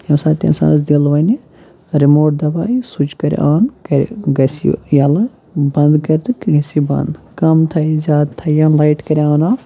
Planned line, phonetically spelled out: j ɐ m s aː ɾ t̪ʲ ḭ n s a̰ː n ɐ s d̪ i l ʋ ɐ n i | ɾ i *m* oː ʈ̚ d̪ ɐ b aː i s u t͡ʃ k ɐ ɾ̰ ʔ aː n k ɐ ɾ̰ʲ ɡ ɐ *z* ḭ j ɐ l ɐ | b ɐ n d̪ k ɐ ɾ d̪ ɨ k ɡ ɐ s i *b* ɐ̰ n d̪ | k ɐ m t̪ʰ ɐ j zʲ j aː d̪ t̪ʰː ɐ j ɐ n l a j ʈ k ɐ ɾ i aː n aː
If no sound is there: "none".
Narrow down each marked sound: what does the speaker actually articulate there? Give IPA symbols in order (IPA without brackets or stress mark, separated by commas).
m, s, b